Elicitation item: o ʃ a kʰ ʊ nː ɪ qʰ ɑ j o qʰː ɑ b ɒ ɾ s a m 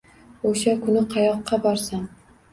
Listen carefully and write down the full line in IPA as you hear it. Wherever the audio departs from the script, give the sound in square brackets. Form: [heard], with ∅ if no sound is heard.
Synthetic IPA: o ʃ a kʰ ʊ [n] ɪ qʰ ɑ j [ɒ] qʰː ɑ b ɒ ɾ s a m